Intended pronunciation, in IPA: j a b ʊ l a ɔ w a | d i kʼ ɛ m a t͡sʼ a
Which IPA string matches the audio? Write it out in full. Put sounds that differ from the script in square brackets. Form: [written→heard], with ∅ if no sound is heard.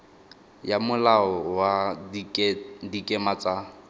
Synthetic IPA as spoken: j a [b→m] ʊ l a ɔ w a | d i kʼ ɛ m a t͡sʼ a